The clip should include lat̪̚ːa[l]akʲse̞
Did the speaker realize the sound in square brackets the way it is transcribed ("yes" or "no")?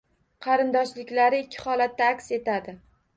no